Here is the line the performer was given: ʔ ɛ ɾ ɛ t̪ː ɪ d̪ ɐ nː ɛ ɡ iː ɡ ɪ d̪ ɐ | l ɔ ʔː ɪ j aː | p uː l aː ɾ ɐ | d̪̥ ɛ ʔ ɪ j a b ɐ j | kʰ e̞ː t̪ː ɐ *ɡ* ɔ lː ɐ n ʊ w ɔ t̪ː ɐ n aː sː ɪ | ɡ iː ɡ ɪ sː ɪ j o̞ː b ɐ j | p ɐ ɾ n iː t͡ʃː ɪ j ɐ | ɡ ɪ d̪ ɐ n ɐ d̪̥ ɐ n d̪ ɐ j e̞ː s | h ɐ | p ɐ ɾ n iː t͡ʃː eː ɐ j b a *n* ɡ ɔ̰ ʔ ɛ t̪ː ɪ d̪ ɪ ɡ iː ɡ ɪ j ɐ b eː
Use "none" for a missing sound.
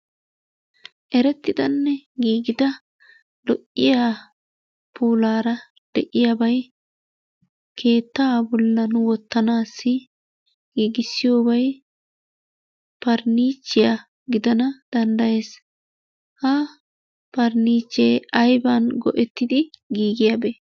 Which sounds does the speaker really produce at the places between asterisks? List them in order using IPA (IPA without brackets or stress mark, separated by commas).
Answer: b, n